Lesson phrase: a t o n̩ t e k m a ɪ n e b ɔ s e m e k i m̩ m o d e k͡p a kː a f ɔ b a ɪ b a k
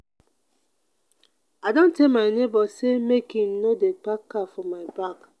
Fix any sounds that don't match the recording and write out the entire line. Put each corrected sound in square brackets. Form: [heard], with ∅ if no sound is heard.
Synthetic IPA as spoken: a [d] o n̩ t e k m a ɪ n e b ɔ s e m e k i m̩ [n] o d e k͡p a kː a f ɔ [m] a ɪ b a k